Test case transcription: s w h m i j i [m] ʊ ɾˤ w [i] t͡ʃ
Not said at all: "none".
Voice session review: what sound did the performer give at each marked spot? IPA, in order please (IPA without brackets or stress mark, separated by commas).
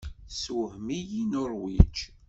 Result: n, i